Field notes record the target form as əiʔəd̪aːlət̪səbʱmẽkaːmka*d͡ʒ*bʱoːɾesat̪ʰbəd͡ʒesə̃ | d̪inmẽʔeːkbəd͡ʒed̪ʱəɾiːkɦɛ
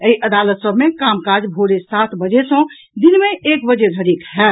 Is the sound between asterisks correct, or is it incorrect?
correct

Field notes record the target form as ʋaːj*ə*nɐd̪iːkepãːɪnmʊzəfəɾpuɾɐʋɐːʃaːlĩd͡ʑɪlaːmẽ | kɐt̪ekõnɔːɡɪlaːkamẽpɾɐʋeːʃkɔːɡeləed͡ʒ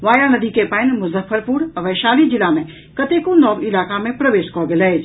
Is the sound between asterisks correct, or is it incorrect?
incorrect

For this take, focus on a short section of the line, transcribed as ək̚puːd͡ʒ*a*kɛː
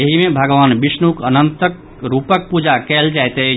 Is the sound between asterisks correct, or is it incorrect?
correct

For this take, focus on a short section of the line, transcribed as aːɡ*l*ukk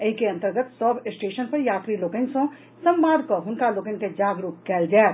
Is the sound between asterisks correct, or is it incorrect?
incorrect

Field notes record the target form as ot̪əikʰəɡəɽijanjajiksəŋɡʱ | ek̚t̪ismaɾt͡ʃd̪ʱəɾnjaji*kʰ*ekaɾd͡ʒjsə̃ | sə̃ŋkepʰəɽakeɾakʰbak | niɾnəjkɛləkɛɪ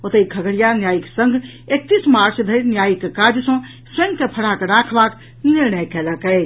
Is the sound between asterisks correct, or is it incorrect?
incorrect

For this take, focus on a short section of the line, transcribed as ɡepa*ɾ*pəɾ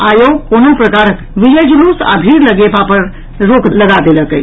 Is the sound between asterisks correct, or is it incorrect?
incorrect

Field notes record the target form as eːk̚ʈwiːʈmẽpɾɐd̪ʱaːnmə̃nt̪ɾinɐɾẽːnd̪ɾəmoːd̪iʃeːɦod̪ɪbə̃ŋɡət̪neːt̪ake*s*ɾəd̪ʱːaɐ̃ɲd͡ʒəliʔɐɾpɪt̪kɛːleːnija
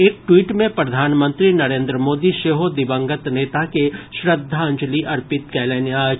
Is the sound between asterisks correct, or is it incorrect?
incorrect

